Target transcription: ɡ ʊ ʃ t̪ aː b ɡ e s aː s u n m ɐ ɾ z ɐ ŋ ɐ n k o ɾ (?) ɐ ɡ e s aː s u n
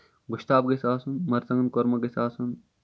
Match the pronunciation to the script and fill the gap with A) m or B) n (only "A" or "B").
A